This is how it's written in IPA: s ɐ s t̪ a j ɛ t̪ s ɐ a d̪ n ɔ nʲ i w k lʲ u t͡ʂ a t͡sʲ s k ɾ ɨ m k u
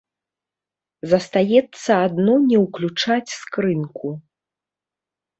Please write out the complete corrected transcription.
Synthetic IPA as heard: z ɐ s t̪ a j ɛ t̪ sː ɐ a d̪ n ɔ nʲ ɛ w k lʲ u t͡ʂ a t͡sʲ s k ɾ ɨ n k u